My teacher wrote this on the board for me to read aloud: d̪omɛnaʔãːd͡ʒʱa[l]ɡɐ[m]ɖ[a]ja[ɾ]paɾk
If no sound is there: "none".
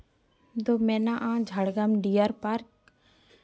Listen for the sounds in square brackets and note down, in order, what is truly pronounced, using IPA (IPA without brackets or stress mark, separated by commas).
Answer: ɽ, m, i, ɾ